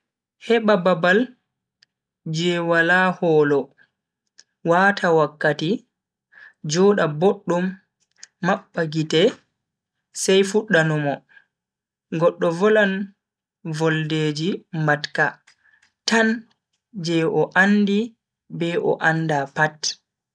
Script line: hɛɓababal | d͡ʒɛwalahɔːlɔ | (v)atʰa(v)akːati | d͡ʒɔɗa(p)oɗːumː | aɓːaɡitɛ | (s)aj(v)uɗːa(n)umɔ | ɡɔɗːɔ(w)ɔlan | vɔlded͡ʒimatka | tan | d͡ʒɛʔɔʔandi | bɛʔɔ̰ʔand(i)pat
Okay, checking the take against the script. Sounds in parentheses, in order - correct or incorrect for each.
incorrect, incorrect, incorrect, correct, incorrect, correct, incorrect, incorrect

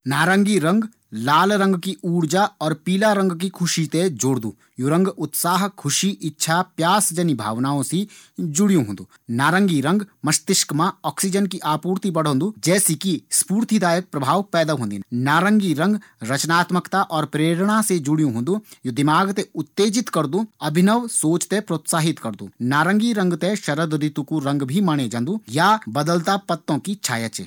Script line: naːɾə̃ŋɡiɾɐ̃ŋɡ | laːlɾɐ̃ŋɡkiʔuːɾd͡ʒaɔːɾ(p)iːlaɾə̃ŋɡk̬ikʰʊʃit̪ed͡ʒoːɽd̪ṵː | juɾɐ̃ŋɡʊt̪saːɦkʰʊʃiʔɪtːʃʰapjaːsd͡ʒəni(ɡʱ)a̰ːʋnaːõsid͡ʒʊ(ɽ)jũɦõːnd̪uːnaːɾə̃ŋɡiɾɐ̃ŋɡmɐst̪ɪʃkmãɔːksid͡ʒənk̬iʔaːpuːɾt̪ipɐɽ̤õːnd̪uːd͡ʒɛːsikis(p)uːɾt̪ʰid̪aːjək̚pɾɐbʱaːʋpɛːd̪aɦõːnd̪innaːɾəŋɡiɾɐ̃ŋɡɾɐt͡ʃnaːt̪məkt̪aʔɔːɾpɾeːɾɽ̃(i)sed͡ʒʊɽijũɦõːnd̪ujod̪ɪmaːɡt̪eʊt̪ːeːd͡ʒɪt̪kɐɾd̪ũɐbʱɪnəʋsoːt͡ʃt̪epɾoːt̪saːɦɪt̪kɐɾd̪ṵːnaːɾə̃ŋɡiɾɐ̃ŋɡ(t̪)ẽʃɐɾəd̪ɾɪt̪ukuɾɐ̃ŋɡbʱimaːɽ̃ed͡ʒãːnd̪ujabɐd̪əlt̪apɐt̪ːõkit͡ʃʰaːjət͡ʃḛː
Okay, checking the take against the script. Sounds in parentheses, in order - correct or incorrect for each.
correct, incorrect, correct, correct, incorrect, correct

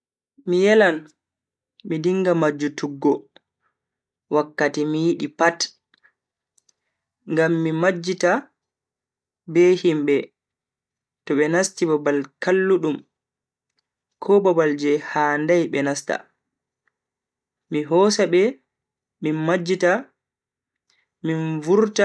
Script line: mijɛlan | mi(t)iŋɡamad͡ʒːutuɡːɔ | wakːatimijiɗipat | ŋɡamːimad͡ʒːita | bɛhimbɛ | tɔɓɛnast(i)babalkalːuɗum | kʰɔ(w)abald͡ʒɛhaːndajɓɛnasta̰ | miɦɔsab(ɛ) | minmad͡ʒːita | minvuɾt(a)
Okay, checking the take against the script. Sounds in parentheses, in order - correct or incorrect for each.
incorrect, correct, incorrect, correct, correct

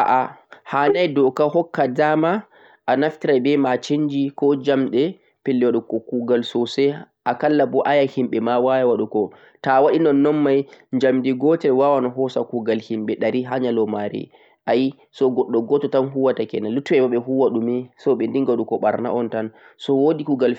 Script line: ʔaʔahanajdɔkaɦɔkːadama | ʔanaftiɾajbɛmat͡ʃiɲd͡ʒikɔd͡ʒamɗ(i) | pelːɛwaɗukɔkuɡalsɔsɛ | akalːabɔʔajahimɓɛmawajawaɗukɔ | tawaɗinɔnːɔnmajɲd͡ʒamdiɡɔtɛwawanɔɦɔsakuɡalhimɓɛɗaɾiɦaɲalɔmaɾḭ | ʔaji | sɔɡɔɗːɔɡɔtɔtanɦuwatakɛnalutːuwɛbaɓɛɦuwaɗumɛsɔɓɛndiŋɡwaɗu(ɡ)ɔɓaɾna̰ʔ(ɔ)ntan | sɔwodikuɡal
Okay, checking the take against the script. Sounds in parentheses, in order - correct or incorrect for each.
incorrect, incorrect, correct

